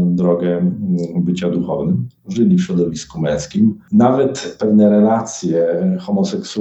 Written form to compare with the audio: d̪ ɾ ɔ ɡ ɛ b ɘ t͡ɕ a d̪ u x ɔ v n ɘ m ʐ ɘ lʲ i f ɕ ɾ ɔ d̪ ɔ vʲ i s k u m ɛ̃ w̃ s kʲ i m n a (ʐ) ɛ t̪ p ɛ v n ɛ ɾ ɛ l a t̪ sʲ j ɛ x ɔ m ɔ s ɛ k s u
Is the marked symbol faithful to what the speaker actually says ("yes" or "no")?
no